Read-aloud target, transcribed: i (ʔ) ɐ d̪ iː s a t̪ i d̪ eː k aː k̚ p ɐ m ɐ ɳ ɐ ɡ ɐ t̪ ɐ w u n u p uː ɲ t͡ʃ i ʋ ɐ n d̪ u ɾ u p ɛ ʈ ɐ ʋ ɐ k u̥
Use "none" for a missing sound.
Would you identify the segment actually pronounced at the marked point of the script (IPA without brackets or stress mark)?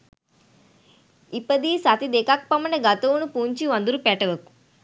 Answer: p